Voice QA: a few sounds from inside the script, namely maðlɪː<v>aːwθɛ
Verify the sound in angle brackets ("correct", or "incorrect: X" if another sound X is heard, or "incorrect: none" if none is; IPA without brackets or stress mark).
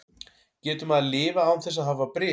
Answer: correct